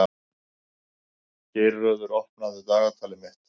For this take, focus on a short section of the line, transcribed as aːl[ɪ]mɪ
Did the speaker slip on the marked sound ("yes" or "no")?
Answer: no